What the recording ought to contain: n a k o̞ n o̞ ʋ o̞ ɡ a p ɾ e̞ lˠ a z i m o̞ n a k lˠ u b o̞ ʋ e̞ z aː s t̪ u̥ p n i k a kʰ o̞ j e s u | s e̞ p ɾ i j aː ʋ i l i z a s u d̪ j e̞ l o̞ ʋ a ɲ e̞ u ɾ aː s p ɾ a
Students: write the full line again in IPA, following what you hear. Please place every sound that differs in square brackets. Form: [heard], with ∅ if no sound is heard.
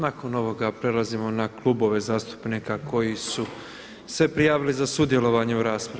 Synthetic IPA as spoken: n a k o̞ n o̞ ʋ o̞ ɡ a p ɾ e̞ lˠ a z i m o̞ n a k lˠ u b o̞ ʋ e̞ z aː s t̪ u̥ p n i k a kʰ o̞ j [i] s u | s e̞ p ɾ i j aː ʋ i l i z a s u d̪ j e̞ l o̞ ʋ a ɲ e̞ u ɾ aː s p ɾ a